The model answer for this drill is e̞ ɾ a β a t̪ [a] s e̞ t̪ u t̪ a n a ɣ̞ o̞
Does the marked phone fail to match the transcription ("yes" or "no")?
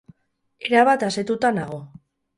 no